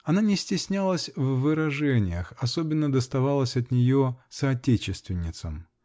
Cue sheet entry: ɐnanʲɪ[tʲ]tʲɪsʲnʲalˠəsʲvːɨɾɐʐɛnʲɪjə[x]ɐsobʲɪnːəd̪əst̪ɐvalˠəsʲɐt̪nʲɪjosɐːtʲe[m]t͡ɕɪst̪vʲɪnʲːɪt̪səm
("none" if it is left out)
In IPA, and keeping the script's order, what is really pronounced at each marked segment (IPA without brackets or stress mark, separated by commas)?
sʲ, x, none